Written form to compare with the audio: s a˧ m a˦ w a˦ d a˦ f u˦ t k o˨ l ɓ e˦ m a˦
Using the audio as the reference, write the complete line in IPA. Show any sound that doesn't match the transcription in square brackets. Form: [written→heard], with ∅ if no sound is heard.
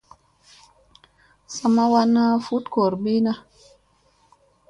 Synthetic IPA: s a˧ m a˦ w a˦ [d→n] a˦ f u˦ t k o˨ [l→ɾ] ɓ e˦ [m→n] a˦